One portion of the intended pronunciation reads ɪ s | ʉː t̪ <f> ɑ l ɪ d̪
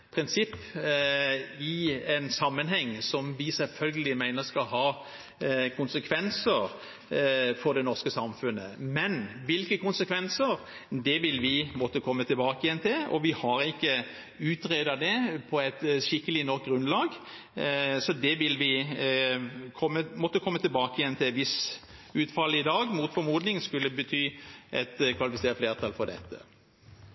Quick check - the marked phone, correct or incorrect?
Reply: correct